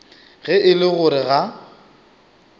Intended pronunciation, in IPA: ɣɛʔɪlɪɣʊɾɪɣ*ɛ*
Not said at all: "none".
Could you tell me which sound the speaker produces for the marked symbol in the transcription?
a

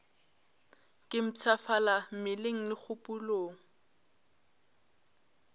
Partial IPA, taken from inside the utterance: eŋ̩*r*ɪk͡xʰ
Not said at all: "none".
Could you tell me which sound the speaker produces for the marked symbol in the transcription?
l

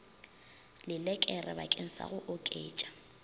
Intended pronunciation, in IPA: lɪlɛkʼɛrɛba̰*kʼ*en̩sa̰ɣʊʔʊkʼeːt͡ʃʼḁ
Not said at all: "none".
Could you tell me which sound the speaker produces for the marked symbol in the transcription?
kʼ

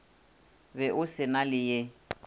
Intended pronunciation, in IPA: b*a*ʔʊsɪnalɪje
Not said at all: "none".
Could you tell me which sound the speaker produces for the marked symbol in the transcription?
ɛ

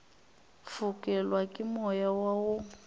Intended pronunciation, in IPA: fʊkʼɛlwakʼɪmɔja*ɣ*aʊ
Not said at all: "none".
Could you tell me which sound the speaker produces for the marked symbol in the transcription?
w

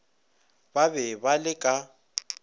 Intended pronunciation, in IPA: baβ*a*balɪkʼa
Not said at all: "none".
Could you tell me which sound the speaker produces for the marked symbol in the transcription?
ɛ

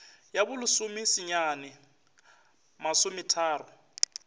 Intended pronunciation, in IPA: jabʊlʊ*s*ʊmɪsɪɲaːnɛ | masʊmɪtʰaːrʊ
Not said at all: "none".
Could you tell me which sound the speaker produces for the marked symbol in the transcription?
s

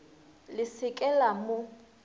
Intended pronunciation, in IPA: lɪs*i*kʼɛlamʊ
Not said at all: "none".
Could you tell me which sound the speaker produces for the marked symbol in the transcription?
ɪ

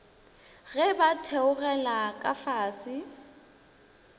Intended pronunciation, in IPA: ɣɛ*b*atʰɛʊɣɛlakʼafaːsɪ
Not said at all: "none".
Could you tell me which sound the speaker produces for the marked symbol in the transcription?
b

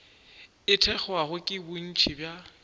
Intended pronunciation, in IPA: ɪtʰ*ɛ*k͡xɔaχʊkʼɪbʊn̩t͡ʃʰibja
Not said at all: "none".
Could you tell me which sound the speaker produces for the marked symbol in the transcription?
ɛ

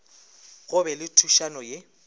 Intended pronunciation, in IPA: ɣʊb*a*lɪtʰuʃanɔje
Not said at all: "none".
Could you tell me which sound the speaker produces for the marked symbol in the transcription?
ɛ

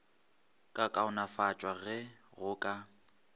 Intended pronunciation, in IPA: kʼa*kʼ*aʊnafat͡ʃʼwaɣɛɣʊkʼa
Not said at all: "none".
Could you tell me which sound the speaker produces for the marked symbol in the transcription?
kʼ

